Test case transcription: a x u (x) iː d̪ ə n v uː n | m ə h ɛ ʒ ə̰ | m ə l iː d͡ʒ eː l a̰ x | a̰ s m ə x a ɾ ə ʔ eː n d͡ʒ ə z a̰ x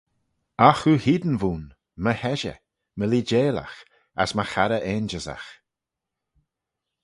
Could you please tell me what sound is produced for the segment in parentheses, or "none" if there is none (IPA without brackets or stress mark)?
h